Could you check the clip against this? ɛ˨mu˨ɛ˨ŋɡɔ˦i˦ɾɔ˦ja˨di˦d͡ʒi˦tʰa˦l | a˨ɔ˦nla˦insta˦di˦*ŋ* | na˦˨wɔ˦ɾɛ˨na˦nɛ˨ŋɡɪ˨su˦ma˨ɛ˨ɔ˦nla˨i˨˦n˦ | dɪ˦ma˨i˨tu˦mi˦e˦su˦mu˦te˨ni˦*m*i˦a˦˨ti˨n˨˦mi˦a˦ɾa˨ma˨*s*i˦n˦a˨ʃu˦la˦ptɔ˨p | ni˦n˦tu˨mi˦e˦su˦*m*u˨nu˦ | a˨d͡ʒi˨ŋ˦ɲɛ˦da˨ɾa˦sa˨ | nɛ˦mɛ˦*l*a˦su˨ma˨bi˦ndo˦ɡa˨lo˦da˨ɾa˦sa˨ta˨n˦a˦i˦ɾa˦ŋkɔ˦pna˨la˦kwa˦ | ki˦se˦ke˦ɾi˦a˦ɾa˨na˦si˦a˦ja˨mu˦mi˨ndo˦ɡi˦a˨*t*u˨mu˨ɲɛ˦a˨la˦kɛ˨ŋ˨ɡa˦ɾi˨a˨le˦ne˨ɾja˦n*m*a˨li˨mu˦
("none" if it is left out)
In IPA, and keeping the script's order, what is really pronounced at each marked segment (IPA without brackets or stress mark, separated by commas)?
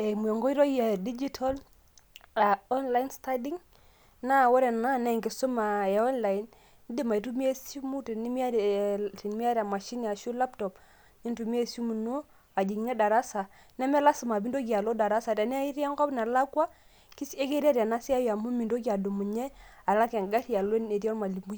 ŋ, m, ʃ, m, l, d, m